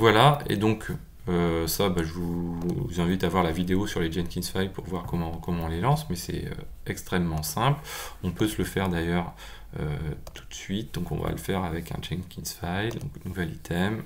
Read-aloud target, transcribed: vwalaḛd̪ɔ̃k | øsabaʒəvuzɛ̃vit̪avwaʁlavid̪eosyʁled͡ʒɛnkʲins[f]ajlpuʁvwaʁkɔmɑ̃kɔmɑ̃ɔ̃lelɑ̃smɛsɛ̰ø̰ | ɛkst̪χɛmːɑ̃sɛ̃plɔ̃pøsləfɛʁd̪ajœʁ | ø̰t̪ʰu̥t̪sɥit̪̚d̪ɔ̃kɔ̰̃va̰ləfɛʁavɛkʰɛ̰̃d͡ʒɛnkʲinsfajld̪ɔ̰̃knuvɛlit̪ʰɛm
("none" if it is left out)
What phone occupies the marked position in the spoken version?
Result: f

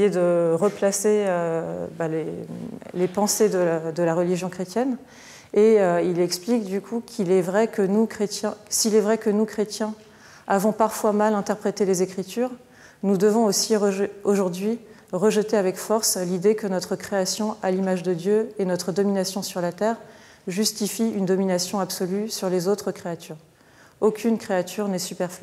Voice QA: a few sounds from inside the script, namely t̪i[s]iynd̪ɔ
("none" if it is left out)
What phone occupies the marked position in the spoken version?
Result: f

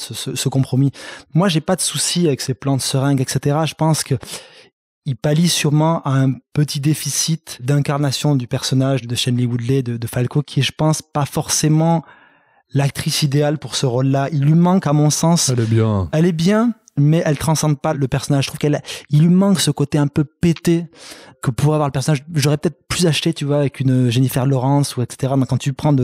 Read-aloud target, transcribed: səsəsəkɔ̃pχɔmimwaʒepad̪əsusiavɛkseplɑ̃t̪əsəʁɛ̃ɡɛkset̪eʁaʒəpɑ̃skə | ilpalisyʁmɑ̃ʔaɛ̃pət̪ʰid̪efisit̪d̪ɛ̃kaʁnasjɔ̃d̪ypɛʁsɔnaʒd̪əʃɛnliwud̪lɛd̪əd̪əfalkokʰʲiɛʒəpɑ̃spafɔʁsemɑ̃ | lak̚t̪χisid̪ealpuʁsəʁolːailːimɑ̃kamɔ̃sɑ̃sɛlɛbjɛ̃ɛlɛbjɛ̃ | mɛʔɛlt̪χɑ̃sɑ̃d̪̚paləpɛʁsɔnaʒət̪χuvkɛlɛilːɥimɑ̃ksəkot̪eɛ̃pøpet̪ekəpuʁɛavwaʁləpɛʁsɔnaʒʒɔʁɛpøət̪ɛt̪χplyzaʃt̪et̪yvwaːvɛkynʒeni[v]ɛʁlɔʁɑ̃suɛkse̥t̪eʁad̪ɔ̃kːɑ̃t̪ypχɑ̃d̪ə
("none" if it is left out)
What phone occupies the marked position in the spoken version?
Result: f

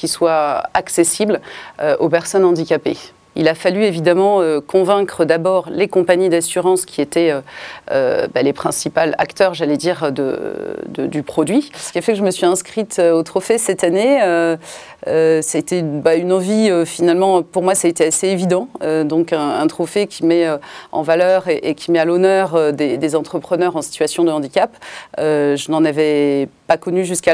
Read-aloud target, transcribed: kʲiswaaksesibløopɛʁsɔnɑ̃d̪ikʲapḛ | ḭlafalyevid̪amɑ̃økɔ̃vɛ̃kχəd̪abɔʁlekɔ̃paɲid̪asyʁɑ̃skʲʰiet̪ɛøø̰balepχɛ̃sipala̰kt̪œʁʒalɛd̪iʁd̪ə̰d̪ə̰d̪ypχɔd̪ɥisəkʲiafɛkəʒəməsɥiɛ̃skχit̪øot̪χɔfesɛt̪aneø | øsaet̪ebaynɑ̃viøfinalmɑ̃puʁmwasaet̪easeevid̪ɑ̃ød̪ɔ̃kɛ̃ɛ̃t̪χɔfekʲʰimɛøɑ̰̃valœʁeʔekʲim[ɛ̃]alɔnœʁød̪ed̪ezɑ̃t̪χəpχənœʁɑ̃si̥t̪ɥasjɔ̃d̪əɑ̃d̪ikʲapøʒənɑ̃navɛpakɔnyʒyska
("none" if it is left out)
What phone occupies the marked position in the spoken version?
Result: ɛ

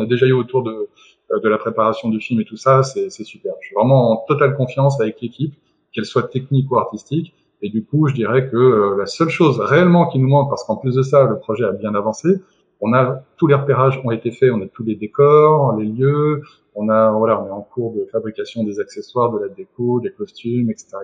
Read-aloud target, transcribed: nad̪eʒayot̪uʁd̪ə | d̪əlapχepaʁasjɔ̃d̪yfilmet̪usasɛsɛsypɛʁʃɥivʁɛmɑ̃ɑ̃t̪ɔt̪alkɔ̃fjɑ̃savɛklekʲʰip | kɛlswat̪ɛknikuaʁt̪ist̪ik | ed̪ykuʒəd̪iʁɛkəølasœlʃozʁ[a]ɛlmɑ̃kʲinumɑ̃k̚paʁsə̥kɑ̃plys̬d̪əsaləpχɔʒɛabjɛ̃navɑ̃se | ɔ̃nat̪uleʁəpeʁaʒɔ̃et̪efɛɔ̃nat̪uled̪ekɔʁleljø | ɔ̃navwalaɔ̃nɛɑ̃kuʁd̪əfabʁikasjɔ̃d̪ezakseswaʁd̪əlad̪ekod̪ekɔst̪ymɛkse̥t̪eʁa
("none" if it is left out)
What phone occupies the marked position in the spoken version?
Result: e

